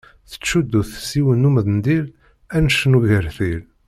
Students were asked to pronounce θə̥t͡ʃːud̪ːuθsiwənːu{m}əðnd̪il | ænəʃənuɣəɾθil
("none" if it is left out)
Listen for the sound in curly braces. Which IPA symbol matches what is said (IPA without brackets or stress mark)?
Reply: m